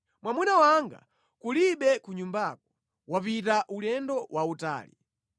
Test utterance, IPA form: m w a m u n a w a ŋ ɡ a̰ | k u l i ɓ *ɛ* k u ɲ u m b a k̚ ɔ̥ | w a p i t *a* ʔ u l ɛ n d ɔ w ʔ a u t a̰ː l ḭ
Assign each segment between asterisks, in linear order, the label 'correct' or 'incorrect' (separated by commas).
correct, correct